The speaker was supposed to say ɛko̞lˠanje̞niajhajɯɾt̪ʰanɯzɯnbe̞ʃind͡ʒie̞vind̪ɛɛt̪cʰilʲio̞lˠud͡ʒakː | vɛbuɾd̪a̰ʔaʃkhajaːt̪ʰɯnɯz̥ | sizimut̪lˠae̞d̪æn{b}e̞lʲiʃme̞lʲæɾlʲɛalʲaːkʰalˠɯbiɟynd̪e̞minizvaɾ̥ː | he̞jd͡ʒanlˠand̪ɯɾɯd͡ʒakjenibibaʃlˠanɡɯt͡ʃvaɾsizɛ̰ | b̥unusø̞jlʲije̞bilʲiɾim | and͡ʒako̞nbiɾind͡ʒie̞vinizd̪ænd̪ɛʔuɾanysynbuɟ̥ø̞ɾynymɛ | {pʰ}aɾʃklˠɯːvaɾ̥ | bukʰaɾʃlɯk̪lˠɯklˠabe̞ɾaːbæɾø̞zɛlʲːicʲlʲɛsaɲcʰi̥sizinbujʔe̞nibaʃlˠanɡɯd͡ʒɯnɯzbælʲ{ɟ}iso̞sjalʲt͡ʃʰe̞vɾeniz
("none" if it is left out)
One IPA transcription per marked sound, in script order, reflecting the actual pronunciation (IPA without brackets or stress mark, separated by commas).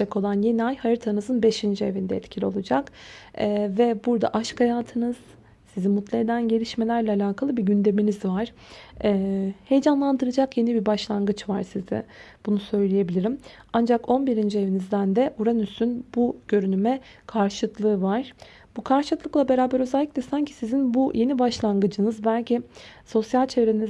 ɟ, kʰ, c